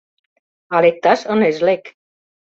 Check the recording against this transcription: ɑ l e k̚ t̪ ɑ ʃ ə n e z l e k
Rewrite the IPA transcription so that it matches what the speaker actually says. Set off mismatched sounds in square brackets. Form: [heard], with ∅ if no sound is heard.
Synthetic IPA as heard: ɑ l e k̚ t̪ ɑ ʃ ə n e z l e k